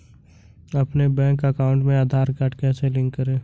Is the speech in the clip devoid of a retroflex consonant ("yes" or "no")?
no